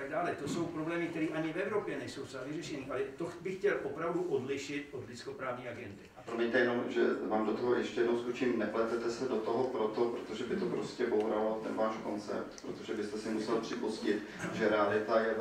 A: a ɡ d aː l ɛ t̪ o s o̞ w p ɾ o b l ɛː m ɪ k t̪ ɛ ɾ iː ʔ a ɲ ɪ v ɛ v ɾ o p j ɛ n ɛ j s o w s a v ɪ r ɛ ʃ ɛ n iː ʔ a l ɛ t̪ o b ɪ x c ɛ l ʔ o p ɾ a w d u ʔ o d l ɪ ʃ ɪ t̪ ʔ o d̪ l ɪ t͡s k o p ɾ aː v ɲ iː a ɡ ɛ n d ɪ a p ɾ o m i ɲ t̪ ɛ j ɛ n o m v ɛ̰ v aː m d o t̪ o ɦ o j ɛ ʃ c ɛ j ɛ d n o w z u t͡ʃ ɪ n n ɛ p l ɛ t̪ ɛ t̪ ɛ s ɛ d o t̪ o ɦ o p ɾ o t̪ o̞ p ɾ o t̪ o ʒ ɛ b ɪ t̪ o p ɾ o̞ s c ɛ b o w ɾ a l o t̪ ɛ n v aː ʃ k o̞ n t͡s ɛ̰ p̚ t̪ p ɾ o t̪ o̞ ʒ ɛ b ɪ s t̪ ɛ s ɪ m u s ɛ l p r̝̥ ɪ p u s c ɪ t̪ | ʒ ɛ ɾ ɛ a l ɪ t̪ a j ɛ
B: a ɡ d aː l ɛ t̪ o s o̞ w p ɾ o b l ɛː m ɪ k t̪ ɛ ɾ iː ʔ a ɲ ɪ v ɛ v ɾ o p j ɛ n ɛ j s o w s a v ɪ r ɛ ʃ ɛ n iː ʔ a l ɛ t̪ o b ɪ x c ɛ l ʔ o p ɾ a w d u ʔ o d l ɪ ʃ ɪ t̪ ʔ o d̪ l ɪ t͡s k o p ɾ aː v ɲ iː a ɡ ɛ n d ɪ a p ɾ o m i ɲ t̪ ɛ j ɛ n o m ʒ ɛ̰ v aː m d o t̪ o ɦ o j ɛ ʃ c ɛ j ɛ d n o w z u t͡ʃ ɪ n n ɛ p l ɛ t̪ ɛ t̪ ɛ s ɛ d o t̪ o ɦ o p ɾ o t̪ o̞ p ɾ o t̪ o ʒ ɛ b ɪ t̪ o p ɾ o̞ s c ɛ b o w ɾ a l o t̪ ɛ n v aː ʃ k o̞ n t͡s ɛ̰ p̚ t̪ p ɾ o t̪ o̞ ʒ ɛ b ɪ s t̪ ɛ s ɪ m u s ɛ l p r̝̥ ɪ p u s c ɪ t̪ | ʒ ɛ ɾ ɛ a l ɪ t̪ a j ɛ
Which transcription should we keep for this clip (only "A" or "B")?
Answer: B